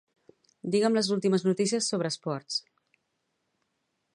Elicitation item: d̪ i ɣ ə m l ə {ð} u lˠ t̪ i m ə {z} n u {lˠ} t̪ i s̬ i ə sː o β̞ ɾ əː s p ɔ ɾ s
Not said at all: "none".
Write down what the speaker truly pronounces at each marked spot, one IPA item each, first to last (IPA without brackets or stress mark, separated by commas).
z, z, none